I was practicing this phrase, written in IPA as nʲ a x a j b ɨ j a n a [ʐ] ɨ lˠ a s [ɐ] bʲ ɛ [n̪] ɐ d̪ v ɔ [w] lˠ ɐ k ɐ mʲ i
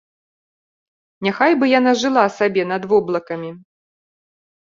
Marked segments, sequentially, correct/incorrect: correct, incorrect: a, correct, incorrect: b

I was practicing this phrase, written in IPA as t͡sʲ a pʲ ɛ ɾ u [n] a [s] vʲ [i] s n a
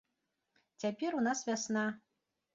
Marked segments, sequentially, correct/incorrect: correct, correct, incorrect: a

